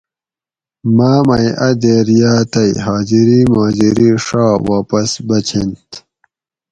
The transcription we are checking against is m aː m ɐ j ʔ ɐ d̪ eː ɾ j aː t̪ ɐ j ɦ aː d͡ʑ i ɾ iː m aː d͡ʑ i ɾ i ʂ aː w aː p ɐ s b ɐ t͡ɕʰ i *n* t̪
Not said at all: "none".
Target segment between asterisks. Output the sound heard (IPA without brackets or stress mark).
n